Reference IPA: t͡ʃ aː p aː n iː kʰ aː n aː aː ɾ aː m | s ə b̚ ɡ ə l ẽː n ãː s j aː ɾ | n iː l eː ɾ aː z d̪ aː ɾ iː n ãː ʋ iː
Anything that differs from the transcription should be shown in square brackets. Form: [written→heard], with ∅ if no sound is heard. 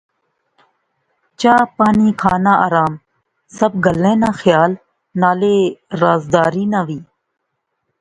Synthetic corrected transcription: t͡ʃ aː p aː n iː kʰ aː n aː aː ɾ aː m | s ə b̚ ɡ ə l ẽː n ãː [s→x] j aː [ɾ→l] | n [iː→aː] l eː ɾ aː z d̪ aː ɾ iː n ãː ʋ iː